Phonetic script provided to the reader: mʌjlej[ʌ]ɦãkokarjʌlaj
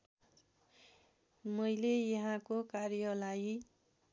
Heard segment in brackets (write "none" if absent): ʌ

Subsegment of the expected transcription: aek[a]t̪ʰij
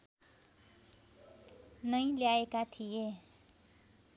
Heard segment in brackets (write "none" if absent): a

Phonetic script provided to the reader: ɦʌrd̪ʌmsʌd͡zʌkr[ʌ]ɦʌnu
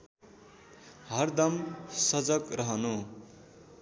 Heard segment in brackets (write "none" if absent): ʌ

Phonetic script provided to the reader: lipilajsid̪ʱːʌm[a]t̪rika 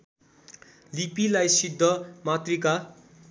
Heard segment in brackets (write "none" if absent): a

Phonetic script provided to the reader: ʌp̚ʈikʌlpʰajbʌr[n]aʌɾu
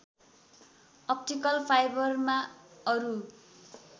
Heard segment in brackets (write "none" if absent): m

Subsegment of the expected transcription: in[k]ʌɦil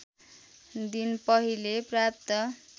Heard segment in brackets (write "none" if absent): p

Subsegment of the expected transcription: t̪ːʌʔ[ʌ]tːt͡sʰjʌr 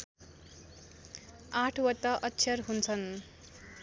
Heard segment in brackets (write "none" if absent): ʌ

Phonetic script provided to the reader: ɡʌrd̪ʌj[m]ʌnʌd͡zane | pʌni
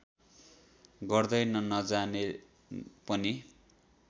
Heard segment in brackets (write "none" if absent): n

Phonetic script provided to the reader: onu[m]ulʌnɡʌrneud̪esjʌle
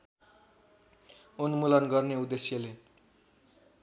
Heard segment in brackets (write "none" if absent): m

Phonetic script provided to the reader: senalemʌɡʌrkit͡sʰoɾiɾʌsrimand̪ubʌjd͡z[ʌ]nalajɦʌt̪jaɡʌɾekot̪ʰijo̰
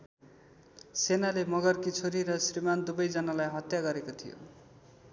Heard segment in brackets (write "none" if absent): ʌ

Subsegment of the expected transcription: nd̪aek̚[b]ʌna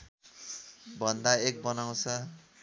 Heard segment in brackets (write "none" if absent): b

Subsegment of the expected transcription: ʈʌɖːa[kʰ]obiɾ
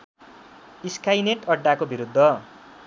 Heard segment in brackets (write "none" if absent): k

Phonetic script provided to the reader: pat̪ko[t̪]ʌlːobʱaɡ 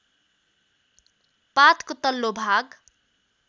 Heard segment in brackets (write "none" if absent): t̪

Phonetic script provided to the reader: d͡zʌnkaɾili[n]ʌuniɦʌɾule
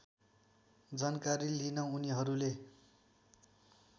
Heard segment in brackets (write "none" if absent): n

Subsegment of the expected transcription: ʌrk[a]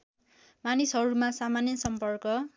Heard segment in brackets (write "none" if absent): ʌ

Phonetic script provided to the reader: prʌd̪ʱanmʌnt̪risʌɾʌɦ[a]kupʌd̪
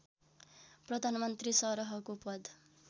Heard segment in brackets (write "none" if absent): ʌ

